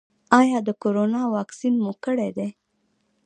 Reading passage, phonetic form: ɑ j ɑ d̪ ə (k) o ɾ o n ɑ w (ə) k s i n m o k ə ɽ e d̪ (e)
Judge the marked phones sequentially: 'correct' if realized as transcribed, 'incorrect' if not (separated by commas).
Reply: correct, incorrect, correct